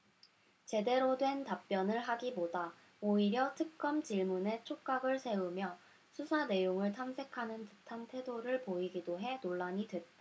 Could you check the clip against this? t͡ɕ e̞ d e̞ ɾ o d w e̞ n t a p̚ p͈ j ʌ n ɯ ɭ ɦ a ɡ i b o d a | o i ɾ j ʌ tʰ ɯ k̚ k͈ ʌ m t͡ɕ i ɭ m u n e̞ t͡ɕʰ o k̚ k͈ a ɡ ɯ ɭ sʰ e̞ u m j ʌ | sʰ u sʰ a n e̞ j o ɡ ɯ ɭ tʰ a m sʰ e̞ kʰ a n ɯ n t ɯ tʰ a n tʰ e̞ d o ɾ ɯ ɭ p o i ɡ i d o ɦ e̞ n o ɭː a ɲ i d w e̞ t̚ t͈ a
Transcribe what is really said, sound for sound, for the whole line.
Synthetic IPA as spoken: t͡ɕ e̞ d e̞ ɾ o d w e̞ n t a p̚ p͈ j ʌ n ɯ ɭ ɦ a ɡ i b o d a | o i ɾ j ʌ tʰ ɯ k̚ k͈ ʌ m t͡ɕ i ɭ m u n e̞ t͡ɕʰ o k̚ k͈ a ɡ ɯ ɭ sʰ e̞ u m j ʌ | sʰ u sʰ a n e̞ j o ŋ ɯ ɭ tʰ a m sʰ e̞ kʰ a n ɯ n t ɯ tʰ a n tʰ e̞ d o ɾ ɯ ɭ p o i ɡ i d o ɦ e̞ n o ɭː a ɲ i d w e̞ t̚ t͈ a